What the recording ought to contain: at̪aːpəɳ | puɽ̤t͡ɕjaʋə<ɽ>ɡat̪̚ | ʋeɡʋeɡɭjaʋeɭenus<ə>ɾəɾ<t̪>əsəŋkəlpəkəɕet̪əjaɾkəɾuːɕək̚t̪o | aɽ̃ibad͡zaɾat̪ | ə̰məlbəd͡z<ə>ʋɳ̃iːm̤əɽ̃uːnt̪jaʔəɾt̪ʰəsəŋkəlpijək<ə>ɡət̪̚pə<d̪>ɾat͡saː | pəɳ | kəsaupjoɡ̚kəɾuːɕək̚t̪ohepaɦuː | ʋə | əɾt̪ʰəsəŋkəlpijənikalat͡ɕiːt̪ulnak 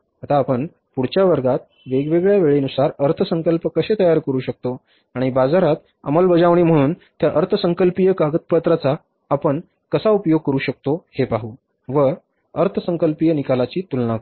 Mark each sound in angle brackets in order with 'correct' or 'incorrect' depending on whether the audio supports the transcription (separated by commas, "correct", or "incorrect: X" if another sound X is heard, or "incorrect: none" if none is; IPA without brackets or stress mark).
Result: incorrect: ɾ, incorrect: a, incorrect: t̪ʰ, incorrect: a, incorrect: a, incorrect: t̪